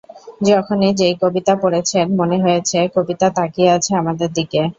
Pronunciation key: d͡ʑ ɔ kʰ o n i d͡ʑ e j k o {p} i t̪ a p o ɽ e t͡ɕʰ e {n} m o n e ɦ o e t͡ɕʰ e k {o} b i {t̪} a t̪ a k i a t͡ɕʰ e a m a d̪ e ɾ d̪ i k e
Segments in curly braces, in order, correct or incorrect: incorrect, correct, correct, correct

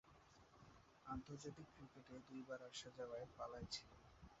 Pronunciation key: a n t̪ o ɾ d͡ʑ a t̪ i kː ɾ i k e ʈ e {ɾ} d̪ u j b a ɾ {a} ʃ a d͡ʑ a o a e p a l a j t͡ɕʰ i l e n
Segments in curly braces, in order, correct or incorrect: incorrect, correct

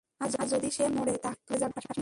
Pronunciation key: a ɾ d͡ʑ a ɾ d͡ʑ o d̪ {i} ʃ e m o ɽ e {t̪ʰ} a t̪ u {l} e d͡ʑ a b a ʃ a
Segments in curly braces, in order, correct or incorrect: correct, incorrect, correct

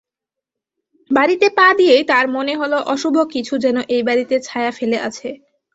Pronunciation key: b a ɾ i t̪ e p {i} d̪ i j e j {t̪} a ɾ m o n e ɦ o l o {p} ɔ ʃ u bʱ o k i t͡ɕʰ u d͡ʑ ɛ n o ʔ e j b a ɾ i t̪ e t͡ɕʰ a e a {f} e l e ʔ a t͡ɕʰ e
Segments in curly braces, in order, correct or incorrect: incorrect, correct, incorrect, correct

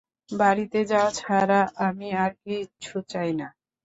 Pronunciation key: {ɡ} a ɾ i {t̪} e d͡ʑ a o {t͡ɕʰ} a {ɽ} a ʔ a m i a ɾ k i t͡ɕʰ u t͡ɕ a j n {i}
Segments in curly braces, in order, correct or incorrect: incorrect, correct, correct, incorrect, incorrect

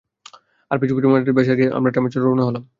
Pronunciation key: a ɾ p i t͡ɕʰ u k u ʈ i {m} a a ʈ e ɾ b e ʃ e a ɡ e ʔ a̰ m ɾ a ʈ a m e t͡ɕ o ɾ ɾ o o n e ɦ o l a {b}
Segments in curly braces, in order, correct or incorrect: correct, incorrect

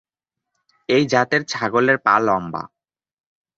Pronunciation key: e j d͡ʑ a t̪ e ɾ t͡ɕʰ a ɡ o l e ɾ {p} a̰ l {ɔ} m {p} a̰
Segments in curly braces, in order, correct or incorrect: correct, correct, incorrect

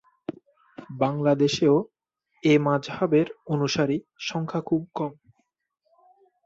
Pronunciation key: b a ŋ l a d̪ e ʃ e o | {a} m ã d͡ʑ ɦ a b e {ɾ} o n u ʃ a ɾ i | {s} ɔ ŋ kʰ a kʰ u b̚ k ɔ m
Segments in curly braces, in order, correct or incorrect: incorrect, correct, incorrect

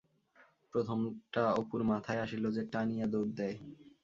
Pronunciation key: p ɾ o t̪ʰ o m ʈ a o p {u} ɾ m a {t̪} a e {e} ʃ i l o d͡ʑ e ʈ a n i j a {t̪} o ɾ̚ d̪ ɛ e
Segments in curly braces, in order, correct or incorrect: correct, incorrect, incorrect, incorrect

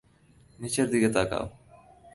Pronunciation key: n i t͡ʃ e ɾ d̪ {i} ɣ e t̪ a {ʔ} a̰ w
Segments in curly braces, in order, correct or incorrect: correct, incorrect

